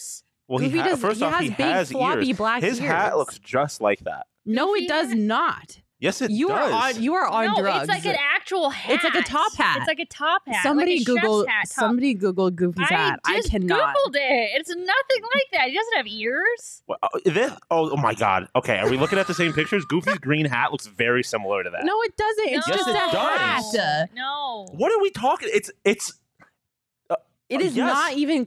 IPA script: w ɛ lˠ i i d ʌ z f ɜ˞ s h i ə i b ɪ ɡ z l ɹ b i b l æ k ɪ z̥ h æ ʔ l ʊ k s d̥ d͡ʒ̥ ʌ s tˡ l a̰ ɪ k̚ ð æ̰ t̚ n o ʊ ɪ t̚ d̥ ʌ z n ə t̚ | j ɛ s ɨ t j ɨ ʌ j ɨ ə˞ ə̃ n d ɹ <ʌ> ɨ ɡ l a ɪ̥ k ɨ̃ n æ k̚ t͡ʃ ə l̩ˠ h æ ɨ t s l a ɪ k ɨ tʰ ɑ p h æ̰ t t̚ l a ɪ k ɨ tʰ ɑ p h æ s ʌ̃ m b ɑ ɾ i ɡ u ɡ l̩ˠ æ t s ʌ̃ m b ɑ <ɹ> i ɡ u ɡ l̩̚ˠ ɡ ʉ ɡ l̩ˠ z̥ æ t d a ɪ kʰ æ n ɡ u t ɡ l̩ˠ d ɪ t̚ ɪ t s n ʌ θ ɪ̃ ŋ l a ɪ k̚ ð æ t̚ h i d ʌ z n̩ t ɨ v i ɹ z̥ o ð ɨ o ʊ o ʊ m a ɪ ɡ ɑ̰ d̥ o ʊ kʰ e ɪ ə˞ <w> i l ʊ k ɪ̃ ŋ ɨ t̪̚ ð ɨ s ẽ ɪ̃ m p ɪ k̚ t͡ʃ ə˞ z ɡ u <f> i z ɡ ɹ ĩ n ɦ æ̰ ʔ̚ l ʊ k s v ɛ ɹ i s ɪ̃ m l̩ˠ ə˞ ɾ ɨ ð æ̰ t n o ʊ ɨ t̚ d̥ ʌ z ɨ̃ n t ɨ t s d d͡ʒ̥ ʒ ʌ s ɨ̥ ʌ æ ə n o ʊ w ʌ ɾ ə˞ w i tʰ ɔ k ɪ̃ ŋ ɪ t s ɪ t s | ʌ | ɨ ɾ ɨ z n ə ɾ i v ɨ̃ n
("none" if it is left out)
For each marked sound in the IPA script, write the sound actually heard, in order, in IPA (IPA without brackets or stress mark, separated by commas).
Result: ʌ, ɾ, w, f